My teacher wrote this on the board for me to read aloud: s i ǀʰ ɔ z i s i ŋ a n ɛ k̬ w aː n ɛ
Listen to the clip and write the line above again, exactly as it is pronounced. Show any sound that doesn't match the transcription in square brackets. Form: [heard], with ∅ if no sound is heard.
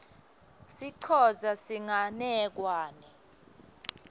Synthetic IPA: s i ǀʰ ɔ z [a] s i ŋ a n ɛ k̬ w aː n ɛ